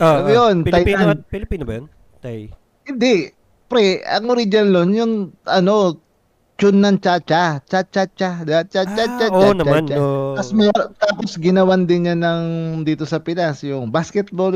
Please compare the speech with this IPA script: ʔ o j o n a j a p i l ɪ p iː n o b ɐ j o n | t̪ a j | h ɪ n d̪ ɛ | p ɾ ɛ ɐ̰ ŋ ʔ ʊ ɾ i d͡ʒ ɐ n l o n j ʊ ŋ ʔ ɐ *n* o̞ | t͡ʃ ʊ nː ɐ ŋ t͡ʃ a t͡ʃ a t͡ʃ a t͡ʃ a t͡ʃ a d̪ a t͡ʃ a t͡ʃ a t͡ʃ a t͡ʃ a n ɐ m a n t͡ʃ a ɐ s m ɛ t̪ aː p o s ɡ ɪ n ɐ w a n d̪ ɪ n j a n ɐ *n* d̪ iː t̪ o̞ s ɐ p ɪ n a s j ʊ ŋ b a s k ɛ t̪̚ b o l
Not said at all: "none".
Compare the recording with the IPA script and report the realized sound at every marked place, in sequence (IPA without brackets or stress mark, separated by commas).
n, ŋ